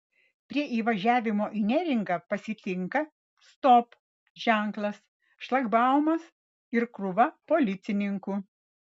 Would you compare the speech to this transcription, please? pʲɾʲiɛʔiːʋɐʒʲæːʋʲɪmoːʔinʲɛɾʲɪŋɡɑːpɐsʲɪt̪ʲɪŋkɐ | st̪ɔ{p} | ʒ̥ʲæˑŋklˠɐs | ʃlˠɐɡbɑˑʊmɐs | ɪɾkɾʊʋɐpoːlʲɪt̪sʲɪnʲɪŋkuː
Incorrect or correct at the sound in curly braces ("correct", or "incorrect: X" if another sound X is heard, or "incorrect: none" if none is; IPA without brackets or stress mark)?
correct